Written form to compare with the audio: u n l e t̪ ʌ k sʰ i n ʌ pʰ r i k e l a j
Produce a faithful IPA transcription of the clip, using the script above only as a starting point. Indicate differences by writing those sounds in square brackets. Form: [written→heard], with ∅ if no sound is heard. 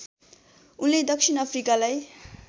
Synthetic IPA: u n l e [t̪→d̪] ʌ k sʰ i n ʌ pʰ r i k [e→a] l a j